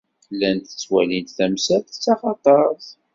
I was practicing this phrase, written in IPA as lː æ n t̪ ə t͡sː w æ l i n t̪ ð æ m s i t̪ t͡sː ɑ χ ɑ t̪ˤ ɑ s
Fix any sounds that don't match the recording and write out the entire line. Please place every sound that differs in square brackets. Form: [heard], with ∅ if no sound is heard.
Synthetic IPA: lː æ n t̪ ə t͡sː w æ l i n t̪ [θ] æ m s [æ] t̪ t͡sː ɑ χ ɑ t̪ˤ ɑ s